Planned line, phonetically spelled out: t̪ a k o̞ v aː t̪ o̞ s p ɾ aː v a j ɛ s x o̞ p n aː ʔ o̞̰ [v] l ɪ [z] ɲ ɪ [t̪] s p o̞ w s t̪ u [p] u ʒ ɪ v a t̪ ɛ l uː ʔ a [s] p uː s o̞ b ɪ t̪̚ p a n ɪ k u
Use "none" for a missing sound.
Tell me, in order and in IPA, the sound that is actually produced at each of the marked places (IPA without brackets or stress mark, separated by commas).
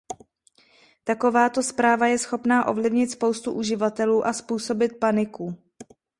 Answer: v, v, t̪, ʔ, s